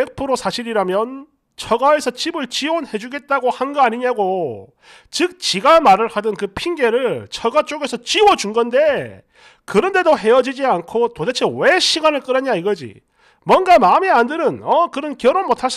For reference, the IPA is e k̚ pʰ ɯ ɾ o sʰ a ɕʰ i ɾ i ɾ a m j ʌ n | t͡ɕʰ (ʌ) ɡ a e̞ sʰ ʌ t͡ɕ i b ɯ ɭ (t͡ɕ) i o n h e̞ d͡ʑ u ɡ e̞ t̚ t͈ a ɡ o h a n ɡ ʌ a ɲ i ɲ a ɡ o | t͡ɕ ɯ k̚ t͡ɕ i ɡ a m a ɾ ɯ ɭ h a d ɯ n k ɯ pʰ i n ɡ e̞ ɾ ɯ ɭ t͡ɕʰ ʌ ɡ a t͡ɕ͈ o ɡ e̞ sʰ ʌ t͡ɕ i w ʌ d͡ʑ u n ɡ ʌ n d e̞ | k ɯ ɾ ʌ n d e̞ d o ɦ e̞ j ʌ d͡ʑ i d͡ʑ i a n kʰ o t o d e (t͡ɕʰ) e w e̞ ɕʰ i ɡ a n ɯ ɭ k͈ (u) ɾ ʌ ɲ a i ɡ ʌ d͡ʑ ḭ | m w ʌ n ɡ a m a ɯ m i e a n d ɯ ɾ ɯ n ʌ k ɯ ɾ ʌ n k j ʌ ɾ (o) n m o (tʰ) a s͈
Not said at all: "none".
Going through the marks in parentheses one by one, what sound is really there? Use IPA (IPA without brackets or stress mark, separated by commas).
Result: ʌ, t͡ɕ, t͡ɕʰ, ɯ, o, tʰ